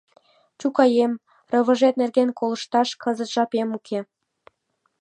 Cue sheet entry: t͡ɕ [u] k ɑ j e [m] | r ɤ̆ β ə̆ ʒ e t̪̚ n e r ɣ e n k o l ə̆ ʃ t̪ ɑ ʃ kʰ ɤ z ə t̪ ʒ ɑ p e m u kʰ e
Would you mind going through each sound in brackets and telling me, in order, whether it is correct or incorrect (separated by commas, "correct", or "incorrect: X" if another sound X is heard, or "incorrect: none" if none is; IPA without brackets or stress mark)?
correct, correct